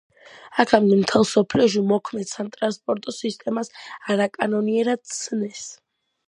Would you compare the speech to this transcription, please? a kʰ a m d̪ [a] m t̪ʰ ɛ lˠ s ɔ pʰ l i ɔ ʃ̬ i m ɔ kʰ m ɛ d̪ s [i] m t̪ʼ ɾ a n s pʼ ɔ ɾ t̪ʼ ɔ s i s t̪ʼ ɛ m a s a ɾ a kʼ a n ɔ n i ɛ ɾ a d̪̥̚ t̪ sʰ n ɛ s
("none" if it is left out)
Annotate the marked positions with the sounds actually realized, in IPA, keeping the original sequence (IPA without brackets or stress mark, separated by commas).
ɛ, a